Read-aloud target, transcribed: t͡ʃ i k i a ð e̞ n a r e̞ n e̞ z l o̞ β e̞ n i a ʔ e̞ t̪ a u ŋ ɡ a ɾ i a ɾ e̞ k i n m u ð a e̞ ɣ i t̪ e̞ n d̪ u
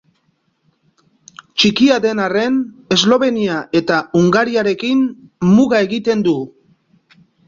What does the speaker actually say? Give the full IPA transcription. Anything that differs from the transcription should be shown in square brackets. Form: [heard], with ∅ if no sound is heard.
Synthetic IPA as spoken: t͡ʃ i k i a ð e̞ n a r e̞ n e̞ z l o̞ β e̞ n i a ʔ e̞ t̪ a u ŋ ɡ a ɾ i a ɾ e̞ k i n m u [ɣ] a e̞ ɣ i t̪ e̞ n d̪ u